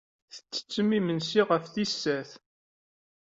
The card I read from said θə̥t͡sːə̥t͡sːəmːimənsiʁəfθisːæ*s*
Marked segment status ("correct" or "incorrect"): incorrect